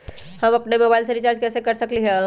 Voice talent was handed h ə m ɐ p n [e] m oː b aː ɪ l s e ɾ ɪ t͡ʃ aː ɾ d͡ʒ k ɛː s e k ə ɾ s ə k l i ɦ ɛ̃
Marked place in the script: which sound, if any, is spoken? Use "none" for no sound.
e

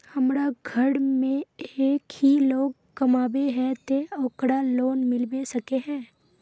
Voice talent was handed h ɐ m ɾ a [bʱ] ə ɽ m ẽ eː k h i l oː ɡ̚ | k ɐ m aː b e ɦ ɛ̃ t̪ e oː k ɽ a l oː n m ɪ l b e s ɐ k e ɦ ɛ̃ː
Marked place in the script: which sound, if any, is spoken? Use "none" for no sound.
ɡʱ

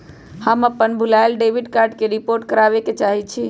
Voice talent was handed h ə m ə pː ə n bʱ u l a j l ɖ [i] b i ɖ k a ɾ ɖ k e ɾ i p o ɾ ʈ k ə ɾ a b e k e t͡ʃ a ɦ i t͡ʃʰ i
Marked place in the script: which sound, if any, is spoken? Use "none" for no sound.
e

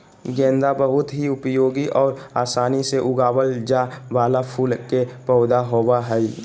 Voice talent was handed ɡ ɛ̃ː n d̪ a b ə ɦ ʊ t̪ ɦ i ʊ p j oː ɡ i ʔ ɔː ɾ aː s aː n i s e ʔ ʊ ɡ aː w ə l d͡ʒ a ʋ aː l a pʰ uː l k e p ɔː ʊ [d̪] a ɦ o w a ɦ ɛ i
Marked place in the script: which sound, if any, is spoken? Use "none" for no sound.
d̪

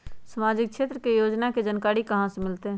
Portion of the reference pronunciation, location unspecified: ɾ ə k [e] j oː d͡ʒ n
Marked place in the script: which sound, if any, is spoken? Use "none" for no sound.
e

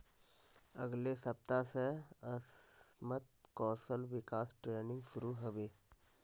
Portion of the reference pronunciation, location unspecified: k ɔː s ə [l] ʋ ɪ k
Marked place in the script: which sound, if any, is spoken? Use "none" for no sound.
l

